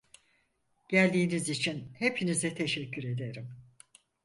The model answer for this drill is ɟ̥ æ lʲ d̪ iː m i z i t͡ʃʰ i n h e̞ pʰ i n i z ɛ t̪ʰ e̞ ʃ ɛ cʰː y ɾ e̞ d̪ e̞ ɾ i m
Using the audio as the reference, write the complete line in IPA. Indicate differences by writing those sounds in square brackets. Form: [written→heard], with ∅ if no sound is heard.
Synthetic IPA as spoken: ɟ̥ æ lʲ d̪ iː [m→n] i z i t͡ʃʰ i n h e̞ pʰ i n i z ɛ t̪ʰ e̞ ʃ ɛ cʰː y ɾ e̞ d̪ e̞ ɾ i m